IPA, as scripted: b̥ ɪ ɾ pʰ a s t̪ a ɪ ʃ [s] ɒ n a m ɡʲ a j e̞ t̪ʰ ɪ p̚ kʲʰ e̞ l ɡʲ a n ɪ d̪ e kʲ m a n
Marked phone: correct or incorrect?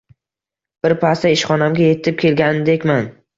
incorrect